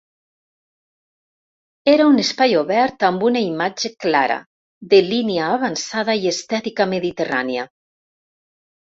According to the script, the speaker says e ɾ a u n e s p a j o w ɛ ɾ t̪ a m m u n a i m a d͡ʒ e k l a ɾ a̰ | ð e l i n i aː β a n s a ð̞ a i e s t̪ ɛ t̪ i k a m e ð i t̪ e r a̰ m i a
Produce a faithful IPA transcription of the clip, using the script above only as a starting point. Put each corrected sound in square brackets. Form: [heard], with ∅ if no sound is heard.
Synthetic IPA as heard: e ɾ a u n e s p a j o [β] ɛ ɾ t̪ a m [b] u n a i m a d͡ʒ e k l a ɾ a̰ | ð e l i n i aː β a n s a ð̞ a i e s t̪ ɛ t̪ i k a m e ð i t̪ e r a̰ [n] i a